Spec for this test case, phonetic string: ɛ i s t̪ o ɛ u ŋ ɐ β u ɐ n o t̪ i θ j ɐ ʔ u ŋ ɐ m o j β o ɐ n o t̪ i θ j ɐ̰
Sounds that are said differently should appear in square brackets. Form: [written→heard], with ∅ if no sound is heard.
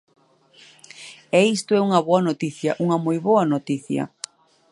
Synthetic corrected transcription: ɛ i s t̪ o ɛ u ŋ ɐ β [u→o] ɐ n o t̪ i θ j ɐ ʔ u ŋ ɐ m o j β o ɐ n o t̪ i θ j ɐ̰